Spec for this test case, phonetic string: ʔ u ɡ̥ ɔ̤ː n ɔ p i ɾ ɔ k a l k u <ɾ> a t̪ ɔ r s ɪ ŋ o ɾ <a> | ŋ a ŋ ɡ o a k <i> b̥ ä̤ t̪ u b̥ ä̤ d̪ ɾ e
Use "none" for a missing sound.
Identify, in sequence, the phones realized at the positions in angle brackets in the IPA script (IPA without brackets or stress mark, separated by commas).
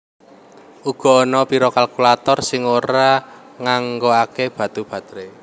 l, a, e